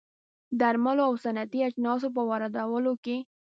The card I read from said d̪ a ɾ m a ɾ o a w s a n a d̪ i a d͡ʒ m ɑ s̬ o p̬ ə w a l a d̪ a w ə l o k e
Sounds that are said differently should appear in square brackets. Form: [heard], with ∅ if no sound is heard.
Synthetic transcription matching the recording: d̪ a ɾ m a [l] o a w s a n a [t̪] i a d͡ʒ [n] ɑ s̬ o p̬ ə w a [ɾ] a d̪ a w ə l o k e